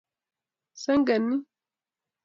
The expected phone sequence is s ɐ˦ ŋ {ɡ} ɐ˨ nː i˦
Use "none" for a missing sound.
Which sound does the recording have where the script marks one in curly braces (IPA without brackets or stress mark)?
ɡ